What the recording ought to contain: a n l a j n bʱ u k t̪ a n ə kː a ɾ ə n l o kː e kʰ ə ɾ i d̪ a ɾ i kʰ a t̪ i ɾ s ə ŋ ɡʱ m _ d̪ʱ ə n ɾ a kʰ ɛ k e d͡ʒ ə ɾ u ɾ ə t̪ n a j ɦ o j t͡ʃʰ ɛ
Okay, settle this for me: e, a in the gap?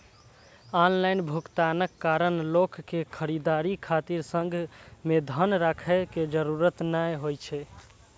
e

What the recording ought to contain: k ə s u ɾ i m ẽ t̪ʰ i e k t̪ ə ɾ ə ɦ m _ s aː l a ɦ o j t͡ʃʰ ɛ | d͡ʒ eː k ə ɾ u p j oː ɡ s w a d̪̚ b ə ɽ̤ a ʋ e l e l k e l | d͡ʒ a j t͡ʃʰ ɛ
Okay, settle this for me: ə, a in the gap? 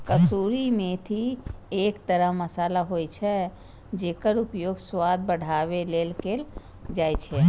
ə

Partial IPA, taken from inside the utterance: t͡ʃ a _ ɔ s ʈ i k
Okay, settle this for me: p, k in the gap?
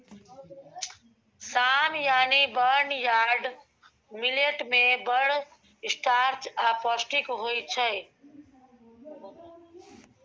p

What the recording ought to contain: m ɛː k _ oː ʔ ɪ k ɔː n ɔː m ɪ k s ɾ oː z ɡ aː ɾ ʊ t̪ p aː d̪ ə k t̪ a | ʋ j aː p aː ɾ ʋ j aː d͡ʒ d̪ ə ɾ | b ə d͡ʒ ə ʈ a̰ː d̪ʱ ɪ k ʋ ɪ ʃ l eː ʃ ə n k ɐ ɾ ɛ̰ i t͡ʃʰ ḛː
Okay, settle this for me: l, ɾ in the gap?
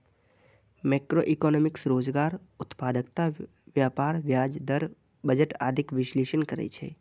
ɾ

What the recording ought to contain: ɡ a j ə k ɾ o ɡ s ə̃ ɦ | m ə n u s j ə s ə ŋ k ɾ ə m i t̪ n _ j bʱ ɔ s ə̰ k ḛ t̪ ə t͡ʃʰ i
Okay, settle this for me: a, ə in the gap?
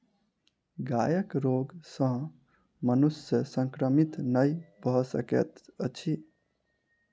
ə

